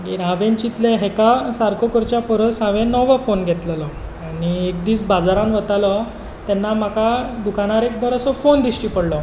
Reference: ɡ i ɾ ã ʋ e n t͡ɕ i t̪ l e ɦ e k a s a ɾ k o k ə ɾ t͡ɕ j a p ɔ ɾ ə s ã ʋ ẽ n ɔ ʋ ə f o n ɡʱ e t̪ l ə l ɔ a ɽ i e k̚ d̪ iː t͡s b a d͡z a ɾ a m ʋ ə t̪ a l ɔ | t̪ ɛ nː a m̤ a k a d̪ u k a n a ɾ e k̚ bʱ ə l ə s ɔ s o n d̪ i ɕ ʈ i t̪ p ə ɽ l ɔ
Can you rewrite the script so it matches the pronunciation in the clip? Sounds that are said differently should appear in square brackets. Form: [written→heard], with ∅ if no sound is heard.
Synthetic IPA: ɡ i ɾ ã ʋ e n t͡ɕ i t̪ l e ɦ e k a s a ɾ k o k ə ɾ t͡ɕ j a p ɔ ɾ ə s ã ʋ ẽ n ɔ ʋ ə f o n ɡʱ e t̪ l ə l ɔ a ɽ i e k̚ d̪ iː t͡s b a d͡z a ɾ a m ʋ ə t̪ a l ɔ | t̪ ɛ nː a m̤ a k a d̪ u k a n a ɾ e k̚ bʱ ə [l→ɾ] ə s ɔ [s→f] o n d̪ i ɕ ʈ i [t̪→∅] p ə ɽ l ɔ